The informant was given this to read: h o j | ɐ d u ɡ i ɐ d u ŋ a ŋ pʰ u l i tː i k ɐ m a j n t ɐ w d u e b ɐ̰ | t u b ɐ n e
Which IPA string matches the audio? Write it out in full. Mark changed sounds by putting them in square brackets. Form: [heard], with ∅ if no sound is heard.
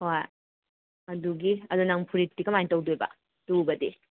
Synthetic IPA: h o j | ɐ d u ɡ i ɐ d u [n] a ŋ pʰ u [ɾ] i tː i k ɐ m a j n t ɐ w d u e b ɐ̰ | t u b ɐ [d] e